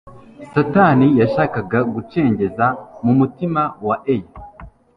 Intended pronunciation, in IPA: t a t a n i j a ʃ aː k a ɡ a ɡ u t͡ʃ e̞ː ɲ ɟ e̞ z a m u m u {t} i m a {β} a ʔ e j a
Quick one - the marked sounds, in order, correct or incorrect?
correct, incorrect

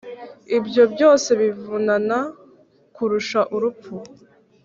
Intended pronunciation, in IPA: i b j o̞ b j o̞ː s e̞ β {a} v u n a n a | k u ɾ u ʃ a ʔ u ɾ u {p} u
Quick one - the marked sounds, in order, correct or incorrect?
incorrect, correct

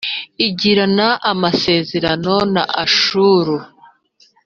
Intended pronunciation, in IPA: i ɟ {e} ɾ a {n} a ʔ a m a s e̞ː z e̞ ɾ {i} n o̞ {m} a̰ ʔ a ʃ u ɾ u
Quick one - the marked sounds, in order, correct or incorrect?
incorrect, correct, incorrect, incorrect

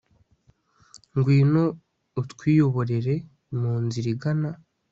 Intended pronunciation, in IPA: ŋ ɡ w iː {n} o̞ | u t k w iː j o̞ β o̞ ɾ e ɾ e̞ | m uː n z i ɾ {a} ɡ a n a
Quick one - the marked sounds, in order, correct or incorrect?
correct, incorrect

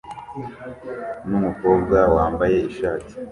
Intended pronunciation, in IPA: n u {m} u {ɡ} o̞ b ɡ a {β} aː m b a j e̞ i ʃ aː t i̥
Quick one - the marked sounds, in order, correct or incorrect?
correct, incorrect, incorrect

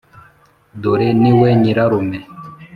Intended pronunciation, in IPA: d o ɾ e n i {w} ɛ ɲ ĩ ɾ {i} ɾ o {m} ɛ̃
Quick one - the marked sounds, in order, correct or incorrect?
correct, incorrect, correct

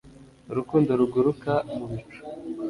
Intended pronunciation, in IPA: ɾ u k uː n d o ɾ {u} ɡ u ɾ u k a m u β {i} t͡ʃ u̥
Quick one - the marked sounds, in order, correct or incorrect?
correct, correct

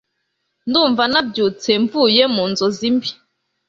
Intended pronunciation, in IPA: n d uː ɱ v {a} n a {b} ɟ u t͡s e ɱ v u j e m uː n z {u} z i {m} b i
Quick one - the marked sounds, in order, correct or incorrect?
correct, correct, incorrect, correct

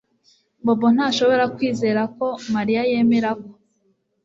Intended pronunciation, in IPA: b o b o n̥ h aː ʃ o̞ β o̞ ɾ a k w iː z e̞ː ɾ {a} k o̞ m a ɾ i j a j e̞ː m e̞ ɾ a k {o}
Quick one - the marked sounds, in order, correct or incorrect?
correct, correct

